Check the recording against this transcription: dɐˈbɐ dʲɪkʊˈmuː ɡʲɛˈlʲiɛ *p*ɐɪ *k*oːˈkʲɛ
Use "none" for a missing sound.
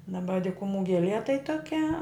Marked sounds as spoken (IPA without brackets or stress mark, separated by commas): t, t